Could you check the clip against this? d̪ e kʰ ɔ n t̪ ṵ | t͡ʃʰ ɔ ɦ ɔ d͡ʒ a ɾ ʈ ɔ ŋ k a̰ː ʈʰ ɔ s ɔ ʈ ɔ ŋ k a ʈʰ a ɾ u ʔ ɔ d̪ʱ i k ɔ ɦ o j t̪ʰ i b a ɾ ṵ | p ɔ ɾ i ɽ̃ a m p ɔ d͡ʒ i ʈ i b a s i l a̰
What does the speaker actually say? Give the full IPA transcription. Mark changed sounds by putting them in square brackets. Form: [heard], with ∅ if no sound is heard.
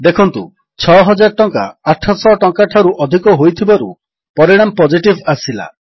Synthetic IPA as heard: d̪ e kʰ ɔ n t̪ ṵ | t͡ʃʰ ɔ ɦ ɔ d͡ʒ a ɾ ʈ ɔ ŋ k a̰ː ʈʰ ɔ s ɔ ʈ ɔ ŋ k a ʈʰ a ɾ u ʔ ɔ d̪ʱ i k ɔ ɦ o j t̪ʰ i b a ɾ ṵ | p ɔ ɾ i ɽ̃ a m p ɔ d͡ʒ i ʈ i b a s i l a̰